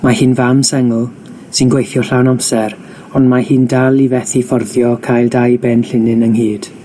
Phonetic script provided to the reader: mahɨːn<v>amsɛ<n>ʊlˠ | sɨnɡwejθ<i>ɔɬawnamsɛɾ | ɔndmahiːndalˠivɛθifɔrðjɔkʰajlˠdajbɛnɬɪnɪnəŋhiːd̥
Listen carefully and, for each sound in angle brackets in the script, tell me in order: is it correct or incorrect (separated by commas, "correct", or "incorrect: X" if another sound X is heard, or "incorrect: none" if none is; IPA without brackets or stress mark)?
correct, incorrect: ŋ, incorrect: j